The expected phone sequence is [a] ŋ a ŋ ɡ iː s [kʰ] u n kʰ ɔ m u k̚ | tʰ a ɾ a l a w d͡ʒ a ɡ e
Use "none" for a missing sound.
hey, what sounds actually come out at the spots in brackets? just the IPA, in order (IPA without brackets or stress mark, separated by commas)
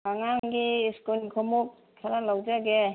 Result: a, k